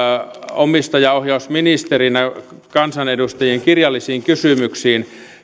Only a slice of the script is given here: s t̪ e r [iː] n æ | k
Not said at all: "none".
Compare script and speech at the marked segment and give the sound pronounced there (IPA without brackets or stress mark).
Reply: i